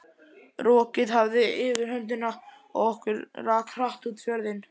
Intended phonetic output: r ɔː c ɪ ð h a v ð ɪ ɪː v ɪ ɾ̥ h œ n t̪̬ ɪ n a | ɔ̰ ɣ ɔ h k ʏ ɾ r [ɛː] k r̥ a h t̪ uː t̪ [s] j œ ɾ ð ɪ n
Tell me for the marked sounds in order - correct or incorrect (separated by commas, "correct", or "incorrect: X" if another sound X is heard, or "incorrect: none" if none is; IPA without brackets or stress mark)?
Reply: incorrect: aː, incorrect: f